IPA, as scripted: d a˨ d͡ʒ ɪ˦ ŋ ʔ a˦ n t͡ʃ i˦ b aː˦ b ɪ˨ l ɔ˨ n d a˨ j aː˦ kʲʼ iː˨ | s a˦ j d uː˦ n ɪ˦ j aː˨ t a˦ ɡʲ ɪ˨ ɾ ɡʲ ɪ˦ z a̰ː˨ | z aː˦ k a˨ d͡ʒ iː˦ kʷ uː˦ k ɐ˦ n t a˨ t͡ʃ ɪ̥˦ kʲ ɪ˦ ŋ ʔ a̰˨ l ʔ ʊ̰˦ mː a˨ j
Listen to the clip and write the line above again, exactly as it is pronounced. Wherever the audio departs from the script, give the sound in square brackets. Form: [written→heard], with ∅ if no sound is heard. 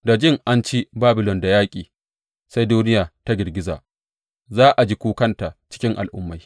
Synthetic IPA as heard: d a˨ d͡ʒ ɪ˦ ŋ ʔ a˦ n t͡ʃ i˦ b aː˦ b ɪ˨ l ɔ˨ n d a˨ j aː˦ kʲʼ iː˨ | s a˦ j d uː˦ n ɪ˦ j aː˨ t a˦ ɡʲ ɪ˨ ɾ ɡʲ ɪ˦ z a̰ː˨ | z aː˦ [k→ʔ] a˨ d͡ʒ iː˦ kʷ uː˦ k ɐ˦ n t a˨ t͡ʃ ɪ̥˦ kʲ ɪ˦ ŋ ʔ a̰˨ l ʔ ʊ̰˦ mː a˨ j